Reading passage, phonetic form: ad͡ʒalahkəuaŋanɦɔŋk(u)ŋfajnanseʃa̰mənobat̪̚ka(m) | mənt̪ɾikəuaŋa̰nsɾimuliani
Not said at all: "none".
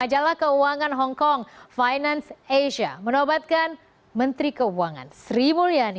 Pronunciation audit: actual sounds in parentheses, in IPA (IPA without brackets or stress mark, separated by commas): ɔ, n